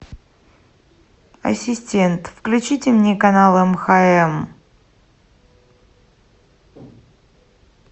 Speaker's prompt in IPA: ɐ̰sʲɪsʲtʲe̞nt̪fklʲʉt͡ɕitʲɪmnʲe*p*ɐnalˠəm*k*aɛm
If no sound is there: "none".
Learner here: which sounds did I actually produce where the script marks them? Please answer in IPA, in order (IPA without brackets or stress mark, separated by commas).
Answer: k, x